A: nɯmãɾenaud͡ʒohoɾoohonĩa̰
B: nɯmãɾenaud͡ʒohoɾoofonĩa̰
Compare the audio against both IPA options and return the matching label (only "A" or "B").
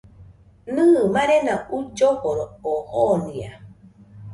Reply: A